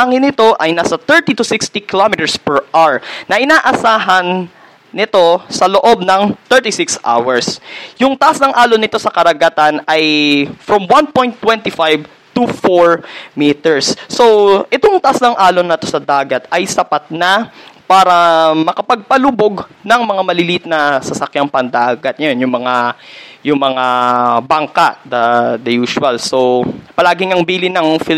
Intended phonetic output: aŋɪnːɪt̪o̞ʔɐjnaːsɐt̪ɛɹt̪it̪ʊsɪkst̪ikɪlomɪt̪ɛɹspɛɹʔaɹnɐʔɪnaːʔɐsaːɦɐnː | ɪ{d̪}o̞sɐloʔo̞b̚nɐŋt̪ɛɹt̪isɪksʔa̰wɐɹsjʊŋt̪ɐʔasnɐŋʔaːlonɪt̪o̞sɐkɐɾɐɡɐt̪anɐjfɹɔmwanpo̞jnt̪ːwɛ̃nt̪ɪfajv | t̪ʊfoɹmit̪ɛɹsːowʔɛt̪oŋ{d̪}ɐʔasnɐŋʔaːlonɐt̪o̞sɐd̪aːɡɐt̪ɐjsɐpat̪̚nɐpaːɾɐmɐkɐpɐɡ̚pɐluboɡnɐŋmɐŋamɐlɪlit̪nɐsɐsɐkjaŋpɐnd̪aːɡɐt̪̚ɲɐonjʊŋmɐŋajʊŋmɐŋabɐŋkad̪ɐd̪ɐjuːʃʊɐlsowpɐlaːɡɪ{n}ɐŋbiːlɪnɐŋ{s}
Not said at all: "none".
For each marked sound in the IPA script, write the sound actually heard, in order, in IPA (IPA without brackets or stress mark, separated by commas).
t̪, t̪, ŋ, f